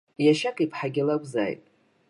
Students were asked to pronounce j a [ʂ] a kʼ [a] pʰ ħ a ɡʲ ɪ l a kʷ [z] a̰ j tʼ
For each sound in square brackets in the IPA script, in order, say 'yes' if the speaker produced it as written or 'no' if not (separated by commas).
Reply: no, no, yes